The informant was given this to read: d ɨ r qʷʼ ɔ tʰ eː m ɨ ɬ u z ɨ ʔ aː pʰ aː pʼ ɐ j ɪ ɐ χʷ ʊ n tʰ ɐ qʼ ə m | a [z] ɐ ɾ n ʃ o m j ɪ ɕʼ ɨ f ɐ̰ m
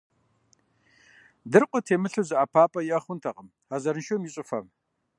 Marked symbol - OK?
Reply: yes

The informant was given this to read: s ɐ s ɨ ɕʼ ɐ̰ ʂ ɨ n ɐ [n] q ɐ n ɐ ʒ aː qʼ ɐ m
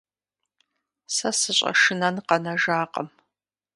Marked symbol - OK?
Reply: yes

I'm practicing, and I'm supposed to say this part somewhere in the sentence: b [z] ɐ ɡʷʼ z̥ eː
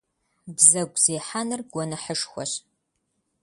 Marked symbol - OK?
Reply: yes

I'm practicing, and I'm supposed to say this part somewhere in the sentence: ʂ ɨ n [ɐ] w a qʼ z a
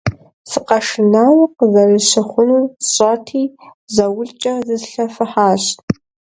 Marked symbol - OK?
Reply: no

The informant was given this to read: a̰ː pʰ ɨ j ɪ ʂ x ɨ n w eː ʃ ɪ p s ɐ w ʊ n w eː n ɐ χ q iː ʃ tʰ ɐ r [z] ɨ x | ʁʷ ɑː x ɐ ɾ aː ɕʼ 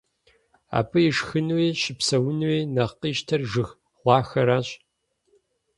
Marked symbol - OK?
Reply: no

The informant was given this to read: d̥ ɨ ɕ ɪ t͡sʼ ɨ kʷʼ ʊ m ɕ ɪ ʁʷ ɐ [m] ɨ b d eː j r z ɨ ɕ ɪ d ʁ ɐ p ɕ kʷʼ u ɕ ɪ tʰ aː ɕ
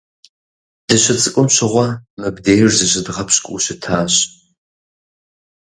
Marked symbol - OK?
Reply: yes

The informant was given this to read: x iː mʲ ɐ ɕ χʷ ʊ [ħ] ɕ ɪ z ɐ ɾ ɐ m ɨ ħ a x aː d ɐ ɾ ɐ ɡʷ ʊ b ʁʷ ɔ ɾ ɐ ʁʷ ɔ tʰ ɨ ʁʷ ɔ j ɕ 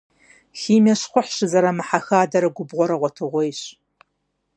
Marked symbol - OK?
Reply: yes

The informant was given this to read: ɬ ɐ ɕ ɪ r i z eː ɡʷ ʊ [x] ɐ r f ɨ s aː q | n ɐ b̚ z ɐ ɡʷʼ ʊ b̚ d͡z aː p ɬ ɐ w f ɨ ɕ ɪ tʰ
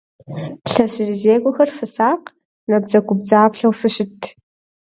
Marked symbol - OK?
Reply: yes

